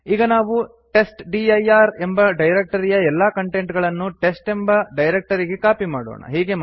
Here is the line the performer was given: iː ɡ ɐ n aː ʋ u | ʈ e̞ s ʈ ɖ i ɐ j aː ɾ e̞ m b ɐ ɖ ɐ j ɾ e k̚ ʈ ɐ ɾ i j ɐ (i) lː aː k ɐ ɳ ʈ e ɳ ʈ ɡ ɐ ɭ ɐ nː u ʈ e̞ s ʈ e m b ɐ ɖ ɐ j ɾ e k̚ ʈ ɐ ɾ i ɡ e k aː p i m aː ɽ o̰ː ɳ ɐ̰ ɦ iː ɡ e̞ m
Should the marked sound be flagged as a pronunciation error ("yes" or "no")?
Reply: yes